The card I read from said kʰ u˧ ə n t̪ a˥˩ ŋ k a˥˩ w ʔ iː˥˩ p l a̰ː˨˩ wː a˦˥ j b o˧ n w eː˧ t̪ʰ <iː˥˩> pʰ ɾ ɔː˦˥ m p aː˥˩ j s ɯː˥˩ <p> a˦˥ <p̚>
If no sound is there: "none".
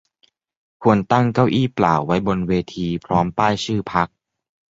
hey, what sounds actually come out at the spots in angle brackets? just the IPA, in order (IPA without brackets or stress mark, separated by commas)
iː˧, pʰ, k̚